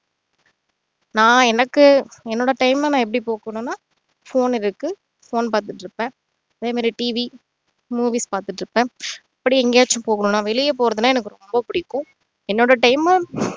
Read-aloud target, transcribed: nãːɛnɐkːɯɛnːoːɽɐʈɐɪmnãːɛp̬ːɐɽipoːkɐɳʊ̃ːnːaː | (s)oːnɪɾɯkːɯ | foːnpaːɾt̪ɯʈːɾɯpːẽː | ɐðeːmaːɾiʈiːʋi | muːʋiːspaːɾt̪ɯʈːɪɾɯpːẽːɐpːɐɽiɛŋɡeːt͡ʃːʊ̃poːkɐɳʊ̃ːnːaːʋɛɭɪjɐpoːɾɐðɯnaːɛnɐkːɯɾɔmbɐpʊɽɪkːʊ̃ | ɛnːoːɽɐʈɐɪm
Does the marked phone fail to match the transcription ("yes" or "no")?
yes